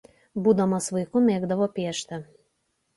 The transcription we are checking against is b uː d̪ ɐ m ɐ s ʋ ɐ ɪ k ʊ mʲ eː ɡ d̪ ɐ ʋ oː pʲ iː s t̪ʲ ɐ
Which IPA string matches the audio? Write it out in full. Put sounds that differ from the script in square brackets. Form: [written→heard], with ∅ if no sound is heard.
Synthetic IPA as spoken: b uː d̪ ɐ m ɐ s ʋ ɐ ɪ k ʊ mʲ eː ɡ d̪ ɐ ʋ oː pʲ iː [s→ʃ] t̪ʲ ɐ